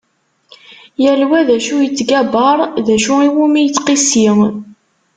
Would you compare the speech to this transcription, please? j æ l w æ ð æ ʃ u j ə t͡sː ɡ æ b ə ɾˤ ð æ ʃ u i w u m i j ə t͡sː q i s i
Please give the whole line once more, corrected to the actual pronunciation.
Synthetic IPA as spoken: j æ l w æ ð æ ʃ u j ə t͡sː ɡ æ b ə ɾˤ ð æ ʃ u i w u m i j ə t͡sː q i s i

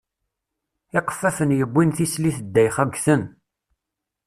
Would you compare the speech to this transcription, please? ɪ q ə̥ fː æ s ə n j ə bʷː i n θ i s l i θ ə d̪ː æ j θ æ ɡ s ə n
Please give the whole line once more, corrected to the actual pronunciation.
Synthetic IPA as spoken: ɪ q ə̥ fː æ f ə n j ə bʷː i n θ i s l i θ ə d̪ː æ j χ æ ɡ θ ə n

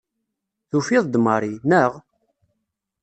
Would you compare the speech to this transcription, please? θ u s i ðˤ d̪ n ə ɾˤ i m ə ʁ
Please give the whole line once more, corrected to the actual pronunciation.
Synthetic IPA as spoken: θ u f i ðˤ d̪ m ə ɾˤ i n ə ʁ

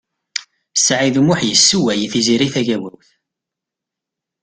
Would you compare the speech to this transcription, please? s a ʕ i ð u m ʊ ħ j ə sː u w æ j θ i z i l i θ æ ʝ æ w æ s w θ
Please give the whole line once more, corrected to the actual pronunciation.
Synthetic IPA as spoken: s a ʕ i ð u m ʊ ħ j ə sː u w æ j θ i z i ɾ i θ æ ʝ æ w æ w θ

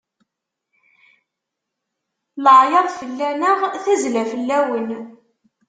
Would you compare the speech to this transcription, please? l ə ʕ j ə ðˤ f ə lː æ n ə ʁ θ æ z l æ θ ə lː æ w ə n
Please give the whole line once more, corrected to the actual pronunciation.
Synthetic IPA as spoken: l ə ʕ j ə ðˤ f ə lː æ n ə ʁ θ æ z l æ f ə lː æ w ə n

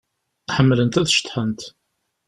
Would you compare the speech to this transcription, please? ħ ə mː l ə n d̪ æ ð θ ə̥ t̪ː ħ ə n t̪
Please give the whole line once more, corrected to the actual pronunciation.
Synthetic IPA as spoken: ħ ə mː l ə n t̪ æ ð ʃ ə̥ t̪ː ħ ə n t̪

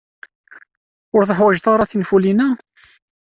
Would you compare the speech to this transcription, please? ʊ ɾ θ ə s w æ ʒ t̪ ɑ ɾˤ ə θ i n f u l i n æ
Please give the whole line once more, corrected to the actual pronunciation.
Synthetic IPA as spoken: ʊ ɾ θ ə ħ w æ ʒ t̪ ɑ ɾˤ ɑ θ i n f u l i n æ

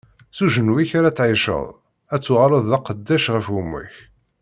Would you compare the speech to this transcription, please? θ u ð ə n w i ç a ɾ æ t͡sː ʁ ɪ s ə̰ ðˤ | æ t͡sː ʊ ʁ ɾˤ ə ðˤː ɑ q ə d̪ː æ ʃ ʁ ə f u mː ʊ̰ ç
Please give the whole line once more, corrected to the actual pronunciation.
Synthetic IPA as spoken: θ u ʒ ə n w i ç a ɾ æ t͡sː ʕ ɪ ʃ ə̰ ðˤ | æ t͡sː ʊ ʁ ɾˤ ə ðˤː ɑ q ə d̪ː æ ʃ ʁ ə f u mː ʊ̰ ç

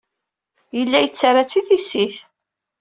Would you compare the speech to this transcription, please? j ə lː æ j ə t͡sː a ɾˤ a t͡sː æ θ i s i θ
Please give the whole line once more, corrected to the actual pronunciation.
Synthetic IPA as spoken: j ə lː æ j ə t͡sː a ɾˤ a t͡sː i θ i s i θ

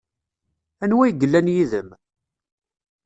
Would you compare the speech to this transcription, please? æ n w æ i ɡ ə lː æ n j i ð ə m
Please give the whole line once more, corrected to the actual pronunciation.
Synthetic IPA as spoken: æ n w æ j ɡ ə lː æ n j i ð ə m

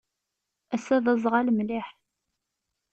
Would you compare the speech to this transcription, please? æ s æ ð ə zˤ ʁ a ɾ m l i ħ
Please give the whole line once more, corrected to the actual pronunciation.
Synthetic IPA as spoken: æ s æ ð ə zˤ ʁ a l m l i ħ

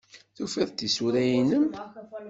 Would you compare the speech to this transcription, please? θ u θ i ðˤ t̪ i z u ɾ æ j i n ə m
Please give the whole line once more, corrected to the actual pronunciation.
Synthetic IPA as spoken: θ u f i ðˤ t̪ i s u ɾ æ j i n ə m

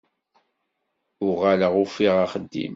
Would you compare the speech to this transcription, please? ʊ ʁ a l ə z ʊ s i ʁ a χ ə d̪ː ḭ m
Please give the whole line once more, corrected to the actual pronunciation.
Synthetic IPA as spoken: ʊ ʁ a l ə ʁ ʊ f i ʁ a χ ə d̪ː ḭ m

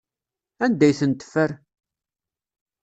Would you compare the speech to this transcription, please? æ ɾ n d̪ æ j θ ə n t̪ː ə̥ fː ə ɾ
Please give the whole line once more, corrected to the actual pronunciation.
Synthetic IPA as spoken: æ n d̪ æ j θ ə n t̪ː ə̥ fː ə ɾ

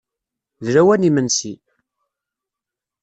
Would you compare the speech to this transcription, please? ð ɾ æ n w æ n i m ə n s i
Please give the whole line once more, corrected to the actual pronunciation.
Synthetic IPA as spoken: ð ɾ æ w æ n i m ə n s i

